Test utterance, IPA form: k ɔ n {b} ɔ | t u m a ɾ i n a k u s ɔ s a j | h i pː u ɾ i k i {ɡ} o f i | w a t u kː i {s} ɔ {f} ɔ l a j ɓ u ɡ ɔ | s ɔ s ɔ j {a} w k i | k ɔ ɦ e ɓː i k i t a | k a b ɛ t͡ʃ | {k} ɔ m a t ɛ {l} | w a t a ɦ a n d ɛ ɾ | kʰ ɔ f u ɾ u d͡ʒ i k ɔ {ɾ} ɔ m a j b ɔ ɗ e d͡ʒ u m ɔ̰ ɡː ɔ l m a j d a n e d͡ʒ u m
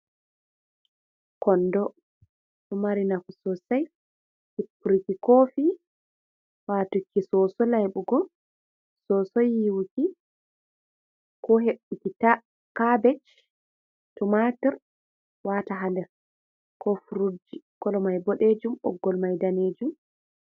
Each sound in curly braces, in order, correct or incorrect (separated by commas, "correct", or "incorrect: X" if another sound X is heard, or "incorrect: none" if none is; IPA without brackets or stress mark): incorrect: d, incorrect: k, correct, incorrect: s, incorrect: i, incorrect: t, incorrect: ɾ, incorrect: l